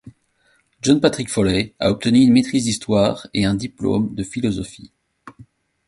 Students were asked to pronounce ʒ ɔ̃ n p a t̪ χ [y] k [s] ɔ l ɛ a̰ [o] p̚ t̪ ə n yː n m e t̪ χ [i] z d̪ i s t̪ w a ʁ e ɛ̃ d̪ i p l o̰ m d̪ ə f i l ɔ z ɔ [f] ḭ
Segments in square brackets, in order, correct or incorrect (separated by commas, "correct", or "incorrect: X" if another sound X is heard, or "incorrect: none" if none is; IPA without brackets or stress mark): incorrect: i, incorrect: f, incorrect: ɔ, correct, correct